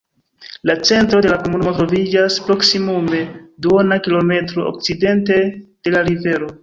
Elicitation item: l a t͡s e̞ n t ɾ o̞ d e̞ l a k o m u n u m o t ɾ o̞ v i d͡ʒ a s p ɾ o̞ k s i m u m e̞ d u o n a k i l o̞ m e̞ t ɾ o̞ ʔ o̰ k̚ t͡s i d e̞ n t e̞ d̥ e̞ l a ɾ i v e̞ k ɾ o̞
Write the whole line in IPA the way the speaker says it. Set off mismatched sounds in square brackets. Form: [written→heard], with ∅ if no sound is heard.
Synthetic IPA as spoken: l a t͡s e̞ n t ɾ o̞ d e̞ l a k o m u n u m o t ɾ o̞ v i d͡ʒ a s p ɾ o̞ k s i m u m e̞ d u o n a k i l o̞ m e̞ t ɾ o̞ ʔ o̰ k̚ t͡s i d e̞ n t e̞ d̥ e̞ l a ɾ i v e̞ [k→∅] ɾ o̞